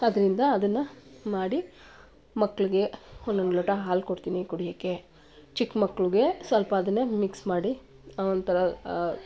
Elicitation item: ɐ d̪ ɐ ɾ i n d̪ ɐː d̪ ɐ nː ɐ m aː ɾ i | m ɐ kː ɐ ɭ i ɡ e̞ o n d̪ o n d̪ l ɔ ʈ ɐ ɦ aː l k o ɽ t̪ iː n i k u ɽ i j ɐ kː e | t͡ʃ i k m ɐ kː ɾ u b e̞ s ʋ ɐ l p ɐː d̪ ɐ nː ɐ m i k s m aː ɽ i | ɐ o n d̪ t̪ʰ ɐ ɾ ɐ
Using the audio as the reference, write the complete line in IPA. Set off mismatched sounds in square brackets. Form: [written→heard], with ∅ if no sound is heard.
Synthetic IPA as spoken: ɐ d̪ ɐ ɾ i n d̪ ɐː d̪ ɐ nː ɐ m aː [ɾ→ɽ] i | m ɐ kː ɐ ɭ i ɡ e̞ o n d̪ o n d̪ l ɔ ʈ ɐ ɦ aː l k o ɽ t̪ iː n i k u ɽ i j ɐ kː e | t͡ʃ i k m ɐ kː [ɾ→ɭ] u [b→ɡ] e̞ s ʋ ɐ l p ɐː d̪ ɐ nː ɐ m i k s m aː ɽ i | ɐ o n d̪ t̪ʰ ɐ ɾ ɐ